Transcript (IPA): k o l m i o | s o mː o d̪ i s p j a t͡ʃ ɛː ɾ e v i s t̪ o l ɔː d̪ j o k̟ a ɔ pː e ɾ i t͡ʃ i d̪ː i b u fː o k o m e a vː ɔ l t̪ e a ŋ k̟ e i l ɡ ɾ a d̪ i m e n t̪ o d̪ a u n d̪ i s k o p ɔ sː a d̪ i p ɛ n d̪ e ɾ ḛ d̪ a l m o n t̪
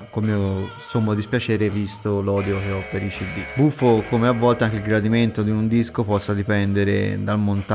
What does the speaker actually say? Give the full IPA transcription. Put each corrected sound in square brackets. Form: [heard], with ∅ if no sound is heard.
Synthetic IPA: k o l m i o | s o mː o d̪ i s p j a t͡ʃ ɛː ɾ e v i s t̪ o l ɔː d̪ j o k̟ [e] ɔ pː e ɾ i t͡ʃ i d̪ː i b u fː o k o m e a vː ɔ l t̪ e a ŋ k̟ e i l ɡ ɾ a d̪ i m e n t̪ o d̪ [i] u n d̪ i s k o p ɔ sː a d̪ i p ɛ n d̪ e ɾ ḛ d̪ a l m o n t̪